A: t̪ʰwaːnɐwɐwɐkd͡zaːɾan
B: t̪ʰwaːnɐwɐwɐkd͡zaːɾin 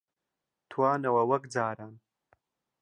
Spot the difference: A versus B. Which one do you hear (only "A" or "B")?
A